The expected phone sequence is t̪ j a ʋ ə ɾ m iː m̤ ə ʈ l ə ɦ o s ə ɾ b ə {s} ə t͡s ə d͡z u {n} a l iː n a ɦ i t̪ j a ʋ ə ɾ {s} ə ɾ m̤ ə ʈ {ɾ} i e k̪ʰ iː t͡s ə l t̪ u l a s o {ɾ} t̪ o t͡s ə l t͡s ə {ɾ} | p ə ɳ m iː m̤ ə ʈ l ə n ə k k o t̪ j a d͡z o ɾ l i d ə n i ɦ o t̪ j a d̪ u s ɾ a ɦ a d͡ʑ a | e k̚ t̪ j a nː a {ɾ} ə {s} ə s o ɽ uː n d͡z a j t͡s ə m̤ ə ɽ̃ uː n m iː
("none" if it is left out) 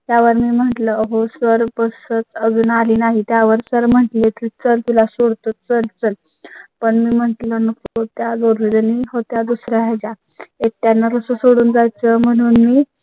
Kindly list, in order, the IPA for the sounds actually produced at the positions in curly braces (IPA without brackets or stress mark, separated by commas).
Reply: s, n, s, l, ɽ, l, ɾ, s